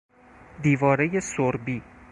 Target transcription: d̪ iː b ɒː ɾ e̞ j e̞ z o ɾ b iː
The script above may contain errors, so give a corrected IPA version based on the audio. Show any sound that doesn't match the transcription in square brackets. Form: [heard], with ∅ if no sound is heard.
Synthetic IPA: d̪ iː [v] ɒː ɾ e̞ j e̞ [s] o ɾ b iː